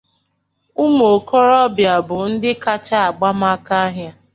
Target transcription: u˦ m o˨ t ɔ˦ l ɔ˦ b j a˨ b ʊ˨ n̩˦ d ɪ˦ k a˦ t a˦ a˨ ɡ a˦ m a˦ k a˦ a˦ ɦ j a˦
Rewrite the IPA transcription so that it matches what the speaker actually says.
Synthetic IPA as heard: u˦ m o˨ k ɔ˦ ɾ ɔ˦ b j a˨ b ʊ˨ n̩˦ d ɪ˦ k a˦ t͡ʃ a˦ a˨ ɡ͡b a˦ m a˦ k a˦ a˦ ɦ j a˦